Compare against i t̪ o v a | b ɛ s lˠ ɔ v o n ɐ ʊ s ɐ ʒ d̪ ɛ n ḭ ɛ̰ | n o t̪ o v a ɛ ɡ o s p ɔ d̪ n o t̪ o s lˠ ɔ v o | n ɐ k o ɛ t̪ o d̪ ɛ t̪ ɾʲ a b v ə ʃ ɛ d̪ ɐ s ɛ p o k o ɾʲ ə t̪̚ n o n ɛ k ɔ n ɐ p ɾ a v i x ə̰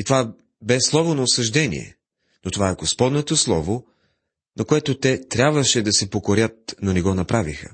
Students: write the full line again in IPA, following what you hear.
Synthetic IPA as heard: i t̪ o v a | b ɛ s lˠ ɔ v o n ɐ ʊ s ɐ ʒ d̪ ɛ n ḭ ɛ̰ | n o t̪ o v a ɛ ɡ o s p ɔ d̪ n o t̪ o s lˠ ɔ v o | n ɐ k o ɛ t̪ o t̪ ɛ t̪ ɾʲ a b v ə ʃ ɛ d̪ ɐ s ɛ p o k o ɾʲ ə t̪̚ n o n ɛ ɡ ɔ n ɐ p ɾ a v i x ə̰